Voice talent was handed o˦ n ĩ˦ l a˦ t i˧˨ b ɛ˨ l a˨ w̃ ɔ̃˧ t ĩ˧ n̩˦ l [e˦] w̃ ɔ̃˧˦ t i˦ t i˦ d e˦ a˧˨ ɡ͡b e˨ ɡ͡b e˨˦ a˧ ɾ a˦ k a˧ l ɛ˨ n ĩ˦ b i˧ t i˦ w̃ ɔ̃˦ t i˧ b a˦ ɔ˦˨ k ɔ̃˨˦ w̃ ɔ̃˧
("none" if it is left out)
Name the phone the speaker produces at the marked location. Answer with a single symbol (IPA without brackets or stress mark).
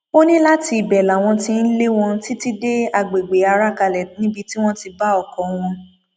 e˦